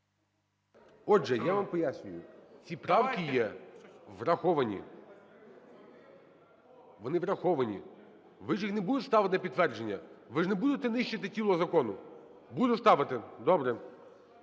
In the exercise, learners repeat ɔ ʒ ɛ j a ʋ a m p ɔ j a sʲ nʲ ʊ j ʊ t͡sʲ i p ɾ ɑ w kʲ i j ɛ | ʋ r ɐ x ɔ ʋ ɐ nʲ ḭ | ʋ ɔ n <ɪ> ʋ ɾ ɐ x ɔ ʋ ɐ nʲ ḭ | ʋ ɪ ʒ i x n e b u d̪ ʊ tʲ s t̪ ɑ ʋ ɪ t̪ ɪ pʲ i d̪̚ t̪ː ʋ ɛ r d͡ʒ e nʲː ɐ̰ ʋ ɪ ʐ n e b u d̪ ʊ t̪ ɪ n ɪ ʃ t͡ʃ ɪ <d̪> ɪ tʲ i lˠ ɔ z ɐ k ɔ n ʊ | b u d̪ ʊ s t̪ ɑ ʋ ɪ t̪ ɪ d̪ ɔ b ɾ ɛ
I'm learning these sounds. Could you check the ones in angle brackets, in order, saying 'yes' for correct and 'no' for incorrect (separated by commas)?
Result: yes, no